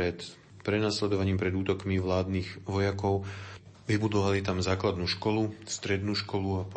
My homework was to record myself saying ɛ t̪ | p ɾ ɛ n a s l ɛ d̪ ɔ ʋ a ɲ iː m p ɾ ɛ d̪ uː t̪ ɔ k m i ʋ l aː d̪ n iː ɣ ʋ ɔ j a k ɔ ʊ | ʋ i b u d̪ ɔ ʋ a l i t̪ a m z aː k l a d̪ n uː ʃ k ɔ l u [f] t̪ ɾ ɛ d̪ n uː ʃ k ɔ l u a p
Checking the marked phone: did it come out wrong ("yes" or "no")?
yes